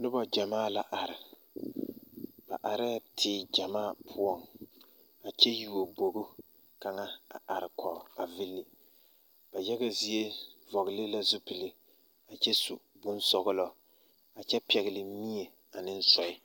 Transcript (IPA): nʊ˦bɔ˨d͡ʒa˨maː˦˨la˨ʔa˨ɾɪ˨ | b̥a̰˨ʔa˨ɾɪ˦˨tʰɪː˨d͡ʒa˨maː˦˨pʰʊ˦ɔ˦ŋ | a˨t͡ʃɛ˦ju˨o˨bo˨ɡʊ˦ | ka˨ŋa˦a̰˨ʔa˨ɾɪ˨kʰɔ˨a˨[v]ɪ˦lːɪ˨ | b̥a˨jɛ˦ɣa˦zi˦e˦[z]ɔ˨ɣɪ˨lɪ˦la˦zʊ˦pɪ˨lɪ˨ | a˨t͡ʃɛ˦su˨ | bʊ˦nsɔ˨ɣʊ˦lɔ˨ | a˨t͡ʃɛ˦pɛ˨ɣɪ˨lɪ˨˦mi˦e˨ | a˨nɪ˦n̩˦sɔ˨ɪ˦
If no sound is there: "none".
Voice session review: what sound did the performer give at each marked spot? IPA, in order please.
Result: v, v

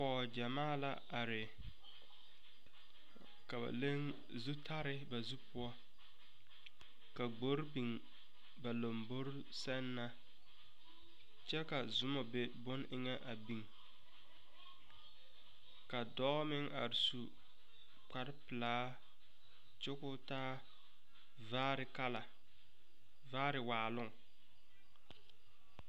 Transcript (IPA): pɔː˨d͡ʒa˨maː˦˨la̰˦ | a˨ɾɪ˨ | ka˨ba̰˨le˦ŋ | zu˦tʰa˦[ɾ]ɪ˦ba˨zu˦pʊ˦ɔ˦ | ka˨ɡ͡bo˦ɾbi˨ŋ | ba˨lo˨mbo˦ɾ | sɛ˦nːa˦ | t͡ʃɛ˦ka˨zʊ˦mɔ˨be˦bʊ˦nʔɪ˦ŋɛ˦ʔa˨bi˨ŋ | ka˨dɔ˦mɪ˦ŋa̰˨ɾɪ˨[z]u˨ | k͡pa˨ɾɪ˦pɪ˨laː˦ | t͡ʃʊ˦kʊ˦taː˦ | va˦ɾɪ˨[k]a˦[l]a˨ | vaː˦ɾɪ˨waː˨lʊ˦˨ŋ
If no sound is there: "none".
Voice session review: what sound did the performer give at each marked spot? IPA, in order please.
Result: ɾ, s, k, l

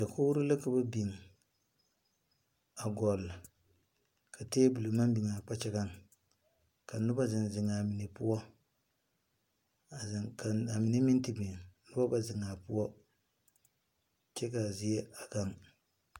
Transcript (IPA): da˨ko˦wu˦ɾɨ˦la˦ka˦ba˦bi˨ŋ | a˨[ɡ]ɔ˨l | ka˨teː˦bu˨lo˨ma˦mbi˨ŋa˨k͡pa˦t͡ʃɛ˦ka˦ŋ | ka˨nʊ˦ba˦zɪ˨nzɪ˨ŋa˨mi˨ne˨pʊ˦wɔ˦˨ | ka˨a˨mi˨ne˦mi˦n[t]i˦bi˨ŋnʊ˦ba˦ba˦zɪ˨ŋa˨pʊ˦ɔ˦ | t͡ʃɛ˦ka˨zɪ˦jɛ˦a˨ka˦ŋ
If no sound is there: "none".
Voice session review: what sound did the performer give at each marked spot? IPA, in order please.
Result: ɡ, t

